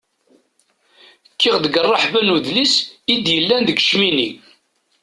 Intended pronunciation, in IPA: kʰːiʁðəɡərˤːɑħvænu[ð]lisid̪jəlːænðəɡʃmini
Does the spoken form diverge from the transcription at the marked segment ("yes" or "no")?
no